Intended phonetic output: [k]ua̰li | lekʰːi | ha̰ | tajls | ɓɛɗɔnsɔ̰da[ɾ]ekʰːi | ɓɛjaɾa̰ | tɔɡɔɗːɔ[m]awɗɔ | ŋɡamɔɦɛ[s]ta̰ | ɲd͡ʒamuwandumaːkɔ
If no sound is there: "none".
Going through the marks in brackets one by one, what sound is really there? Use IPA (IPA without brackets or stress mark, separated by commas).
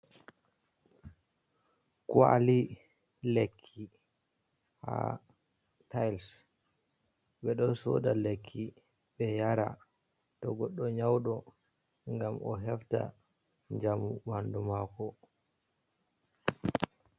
k, l, ɲ, f